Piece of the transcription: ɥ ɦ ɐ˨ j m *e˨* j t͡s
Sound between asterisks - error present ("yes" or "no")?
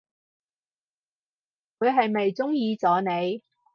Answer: no